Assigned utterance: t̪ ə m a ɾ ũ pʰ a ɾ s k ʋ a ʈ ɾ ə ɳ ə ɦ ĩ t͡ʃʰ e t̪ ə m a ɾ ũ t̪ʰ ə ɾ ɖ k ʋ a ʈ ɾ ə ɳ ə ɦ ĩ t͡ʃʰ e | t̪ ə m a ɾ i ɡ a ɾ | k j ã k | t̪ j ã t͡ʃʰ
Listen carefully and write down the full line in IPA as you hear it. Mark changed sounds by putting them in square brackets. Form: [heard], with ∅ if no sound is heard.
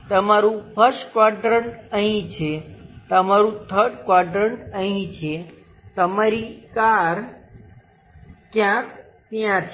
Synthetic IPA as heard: t̪ ə m a ɾ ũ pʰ [ə] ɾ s k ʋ a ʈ ɾ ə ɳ ə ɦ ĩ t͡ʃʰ e t̪ ə m a ɾ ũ t̪ʰ ə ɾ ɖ k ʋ a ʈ ɾ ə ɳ ə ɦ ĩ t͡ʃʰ e | t̪ ə m a ɾ i [k] a ɾ | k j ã k | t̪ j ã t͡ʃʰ